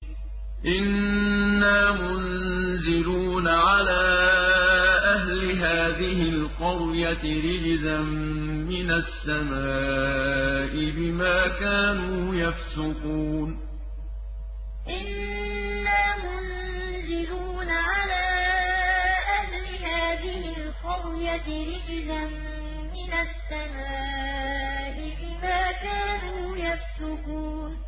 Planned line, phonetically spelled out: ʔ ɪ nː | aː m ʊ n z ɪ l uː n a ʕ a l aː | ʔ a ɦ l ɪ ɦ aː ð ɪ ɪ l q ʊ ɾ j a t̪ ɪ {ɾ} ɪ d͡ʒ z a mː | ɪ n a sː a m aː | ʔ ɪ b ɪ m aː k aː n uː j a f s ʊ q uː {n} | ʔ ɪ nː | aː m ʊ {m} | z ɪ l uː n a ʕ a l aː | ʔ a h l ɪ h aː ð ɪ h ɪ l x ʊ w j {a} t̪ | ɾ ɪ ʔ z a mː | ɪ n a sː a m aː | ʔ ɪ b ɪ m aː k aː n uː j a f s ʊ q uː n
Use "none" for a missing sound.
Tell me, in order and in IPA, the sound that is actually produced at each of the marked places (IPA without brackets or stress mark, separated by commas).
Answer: ɾ, n, n, a